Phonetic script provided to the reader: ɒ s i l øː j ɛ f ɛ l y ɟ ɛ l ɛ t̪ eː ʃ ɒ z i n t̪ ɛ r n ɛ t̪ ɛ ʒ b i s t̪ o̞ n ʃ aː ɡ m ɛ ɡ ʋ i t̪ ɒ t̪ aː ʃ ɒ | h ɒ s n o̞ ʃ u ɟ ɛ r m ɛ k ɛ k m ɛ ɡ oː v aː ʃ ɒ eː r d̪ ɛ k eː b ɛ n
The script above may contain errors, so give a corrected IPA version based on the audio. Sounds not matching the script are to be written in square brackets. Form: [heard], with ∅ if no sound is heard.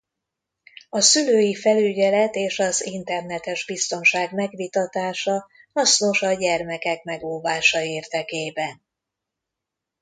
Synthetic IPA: ɒ s [y] l øː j [i] f ɛ l y ɟ ɛ l ɛ t̪ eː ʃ ɒ z i n t̪ ɛ r n ɛ t̪ ɛ ʒ b i s t̪ o̞ n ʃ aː ɡ m ɛ ɡ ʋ i t̪ ɒ t̪ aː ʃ ɒ | h ɒ s n o̞ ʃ [ɒ] ɟ ɛ r m ɛ k ɛ k m ɛ ɡ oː v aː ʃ ɒ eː r d̪ ɛ k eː b ɛ n